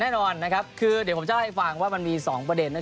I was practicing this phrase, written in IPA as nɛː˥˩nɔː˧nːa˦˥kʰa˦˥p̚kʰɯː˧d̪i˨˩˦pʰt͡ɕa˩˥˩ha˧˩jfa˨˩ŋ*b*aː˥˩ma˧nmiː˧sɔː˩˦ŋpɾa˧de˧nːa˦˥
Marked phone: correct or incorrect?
incorrect